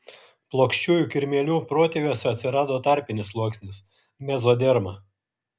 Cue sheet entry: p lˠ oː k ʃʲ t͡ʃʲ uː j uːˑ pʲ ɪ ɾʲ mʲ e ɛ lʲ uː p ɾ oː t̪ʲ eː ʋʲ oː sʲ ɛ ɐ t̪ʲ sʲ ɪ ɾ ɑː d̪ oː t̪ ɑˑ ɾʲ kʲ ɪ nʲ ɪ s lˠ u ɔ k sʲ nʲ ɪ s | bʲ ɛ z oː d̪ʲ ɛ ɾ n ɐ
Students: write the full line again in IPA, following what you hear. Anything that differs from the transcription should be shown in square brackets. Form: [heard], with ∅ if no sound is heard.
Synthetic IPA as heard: p lˠ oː k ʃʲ t͡ʃʲ uː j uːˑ [kʲ] ɪ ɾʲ mʲ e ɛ lʲ uː p ɾ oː t̪ʲ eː ʋʲ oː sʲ ɛ ɐ t̪ʲ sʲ ɪ ɾ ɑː d̪ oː t̪ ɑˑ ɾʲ [pʲ] ɪ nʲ ɪ s lˠ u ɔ k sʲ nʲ ɪ s | [mʲ] ɛ z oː d̪ʲ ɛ ɾ [m] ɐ